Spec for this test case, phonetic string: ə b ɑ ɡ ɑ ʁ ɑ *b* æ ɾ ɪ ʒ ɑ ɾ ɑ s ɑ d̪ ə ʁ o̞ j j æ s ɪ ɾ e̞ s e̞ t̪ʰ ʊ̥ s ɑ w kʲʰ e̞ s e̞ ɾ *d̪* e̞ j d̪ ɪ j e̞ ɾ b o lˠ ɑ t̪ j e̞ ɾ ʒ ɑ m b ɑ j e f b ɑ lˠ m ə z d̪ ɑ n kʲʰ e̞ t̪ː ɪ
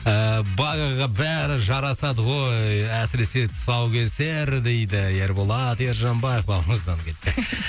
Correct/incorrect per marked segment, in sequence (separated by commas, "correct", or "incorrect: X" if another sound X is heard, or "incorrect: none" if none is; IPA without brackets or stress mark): correct, correct